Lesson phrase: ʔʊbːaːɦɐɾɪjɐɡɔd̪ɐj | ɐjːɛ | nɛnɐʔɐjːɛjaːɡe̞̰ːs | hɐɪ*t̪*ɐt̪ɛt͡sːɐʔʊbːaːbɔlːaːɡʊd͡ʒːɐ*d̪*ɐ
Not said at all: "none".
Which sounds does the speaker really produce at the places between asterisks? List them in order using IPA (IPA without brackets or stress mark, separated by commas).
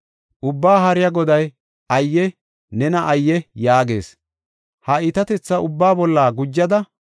t̪, d̪